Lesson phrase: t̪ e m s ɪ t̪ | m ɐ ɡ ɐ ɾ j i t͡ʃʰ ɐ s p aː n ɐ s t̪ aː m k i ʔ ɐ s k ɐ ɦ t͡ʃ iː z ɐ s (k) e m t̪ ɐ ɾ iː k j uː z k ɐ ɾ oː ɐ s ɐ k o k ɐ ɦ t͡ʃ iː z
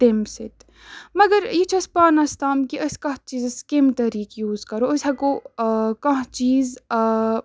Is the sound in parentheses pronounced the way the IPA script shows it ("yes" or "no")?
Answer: yes